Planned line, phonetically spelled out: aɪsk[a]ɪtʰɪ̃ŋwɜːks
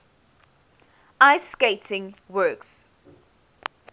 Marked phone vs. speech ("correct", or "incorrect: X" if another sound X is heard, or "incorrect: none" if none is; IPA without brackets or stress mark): incorrect: e